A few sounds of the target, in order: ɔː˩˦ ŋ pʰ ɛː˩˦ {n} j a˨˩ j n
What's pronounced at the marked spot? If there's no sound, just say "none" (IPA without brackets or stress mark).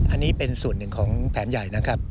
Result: n